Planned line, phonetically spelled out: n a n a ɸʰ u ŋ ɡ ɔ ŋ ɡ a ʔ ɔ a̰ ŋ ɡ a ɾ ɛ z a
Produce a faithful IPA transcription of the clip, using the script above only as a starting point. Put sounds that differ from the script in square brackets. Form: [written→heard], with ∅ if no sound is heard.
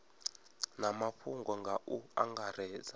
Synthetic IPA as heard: n a [n→m] a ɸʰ u ŋ ɡ ɔ ŋ ɡ a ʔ [ɔ→u] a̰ ŋ ɡ a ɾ [ɛ→ɛː] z a

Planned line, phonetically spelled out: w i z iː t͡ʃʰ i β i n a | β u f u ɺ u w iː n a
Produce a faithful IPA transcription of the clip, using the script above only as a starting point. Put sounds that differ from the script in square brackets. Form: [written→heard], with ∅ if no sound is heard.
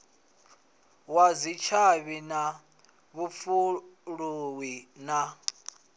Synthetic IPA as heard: w [i→a] z [iː→i] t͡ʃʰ [i→a] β i n a | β u f u ɺ u w [iː→i] n a

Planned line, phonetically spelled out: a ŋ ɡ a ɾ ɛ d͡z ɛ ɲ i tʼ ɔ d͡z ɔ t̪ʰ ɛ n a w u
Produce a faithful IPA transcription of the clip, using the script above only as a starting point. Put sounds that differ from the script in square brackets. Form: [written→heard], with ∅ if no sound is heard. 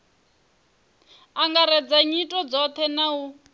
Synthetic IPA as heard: a ŋ ɡ a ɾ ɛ d͡z [ɛ→a] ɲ i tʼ ɔ d͡z ɔ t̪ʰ ɛ n a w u

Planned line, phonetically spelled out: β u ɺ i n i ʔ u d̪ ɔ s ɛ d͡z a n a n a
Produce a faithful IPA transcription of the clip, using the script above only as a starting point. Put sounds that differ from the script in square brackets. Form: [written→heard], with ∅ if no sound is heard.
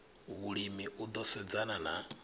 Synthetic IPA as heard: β u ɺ i [n→m] i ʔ u d̪ ɔ s ɛ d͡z a n a n a

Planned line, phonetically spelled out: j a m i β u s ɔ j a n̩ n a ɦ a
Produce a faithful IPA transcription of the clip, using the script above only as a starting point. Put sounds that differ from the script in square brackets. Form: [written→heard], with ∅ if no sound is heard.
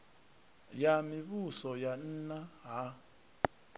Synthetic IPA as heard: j a m i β u s ɔ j a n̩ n a ɦ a

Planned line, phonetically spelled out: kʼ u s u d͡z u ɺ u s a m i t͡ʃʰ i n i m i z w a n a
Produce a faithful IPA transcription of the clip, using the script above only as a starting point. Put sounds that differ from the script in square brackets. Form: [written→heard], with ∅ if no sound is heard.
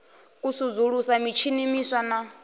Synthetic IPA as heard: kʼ u s u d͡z u ɺ u s a m i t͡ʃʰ i n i m i [z→s] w a n a

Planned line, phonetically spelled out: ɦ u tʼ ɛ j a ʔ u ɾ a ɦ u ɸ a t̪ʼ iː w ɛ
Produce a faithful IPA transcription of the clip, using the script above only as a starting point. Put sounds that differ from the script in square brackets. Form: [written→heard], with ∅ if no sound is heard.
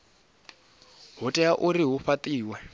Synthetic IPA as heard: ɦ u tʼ ɛ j a ʔ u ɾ [a→i] ɦ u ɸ a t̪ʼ iː w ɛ

